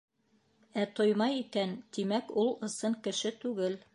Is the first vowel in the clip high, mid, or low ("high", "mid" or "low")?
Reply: low